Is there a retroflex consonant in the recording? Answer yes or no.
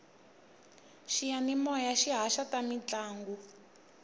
no